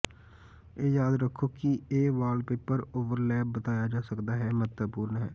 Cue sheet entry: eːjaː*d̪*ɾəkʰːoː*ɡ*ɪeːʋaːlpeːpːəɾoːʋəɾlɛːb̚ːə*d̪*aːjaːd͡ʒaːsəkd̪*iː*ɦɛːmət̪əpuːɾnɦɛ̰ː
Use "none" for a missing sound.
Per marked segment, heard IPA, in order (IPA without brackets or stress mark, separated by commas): d̪, k, t̪, aː